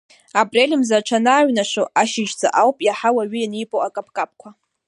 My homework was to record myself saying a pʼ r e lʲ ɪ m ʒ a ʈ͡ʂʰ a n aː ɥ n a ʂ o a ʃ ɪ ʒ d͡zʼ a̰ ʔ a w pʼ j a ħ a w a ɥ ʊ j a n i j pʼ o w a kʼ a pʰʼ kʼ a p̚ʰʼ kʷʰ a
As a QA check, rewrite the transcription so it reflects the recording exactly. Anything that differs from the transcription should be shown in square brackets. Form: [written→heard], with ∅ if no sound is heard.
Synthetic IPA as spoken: a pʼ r e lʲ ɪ m [ʒ→z] a ʈ͡ʂʰ a n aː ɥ n a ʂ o a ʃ ɪ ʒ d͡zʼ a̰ ʔ a w pʼ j a ħ a w a ɥ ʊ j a n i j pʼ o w a kʼ a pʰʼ kʼ a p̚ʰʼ kʷʰ a